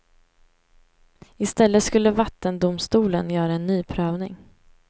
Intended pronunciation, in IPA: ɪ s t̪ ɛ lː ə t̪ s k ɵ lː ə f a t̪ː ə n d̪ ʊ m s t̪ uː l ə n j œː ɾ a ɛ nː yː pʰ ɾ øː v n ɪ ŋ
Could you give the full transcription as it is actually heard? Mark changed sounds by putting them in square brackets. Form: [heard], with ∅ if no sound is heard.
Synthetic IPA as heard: ɪ s t̪ ɛ lː ə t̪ s k ɵ lː ə [v] a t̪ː ə n d̪ ʊ m s t̪ uː l ə n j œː ɾ a ɛ nː yː pʰ ɾ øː v n ɪ ŋ